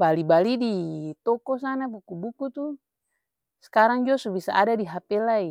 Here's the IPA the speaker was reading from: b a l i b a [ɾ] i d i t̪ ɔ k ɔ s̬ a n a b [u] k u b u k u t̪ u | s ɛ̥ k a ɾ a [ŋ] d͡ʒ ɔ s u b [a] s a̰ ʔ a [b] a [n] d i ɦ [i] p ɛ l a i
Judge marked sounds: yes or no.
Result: no, yes, yes, no, no, no, no

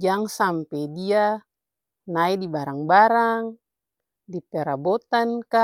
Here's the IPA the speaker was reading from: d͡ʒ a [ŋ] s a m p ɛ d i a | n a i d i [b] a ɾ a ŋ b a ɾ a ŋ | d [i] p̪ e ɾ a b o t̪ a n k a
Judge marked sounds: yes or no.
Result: yes, yes, yes

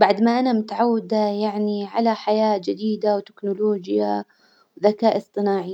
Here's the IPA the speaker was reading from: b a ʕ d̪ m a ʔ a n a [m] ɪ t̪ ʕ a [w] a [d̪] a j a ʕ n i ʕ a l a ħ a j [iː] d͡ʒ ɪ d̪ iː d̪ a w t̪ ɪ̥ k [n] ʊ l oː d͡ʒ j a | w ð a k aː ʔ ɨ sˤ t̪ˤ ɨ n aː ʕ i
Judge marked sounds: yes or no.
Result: yes, no, yes, no, yes

